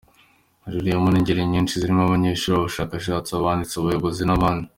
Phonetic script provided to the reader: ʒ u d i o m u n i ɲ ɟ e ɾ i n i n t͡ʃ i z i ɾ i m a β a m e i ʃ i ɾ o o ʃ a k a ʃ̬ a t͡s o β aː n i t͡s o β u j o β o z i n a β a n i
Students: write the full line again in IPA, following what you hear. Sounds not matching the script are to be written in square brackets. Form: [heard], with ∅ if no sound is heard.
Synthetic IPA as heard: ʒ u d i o m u n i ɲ ɟ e ɾ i [ɲ] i n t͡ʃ i z i ɾ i m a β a [ɲ] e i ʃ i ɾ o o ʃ a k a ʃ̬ a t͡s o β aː n i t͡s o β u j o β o z i n a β a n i